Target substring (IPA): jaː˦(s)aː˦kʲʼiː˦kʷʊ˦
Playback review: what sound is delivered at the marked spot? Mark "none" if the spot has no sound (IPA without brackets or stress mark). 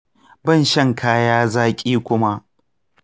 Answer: z